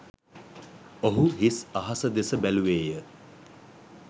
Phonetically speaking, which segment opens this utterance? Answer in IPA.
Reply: o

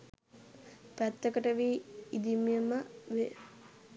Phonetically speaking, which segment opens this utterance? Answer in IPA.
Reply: p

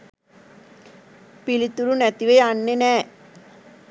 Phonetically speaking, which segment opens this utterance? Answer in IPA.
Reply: p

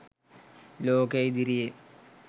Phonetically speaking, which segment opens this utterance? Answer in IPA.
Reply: l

